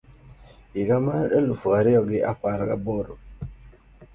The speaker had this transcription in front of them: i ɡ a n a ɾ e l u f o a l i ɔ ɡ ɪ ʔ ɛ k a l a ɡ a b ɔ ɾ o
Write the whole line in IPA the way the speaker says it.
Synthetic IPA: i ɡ a m a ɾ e l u f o a ɾ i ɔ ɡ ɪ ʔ a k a ɾ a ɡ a b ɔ ɾ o